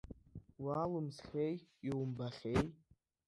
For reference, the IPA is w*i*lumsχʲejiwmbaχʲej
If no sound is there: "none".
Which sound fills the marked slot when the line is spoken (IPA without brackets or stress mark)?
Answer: a